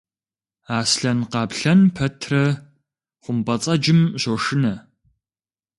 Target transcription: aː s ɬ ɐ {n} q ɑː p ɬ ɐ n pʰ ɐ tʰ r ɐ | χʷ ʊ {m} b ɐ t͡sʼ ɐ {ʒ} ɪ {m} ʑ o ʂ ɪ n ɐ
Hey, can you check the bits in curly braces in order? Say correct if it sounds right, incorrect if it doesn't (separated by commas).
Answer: correct, correct, incorrect, correct